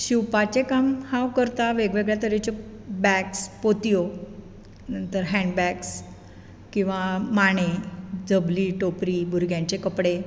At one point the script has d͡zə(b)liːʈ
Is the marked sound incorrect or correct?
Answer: correct